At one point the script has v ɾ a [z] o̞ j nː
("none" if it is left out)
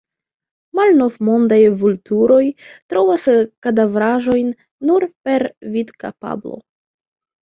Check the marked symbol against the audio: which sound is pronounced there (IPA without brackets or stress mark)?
ʒ